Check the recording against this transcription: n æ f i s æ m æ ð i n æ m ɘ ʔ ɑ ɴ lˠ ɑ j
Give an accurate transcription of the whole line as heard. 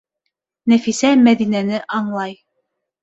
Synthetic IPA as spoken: n æ f i s æ m æ ð i n æ n ɘ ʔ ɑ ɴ lˠ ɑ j